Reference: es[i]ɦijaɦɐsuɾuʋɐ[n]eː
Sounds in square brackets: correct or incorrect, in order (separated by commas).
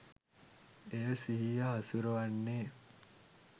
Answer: correct, incorrect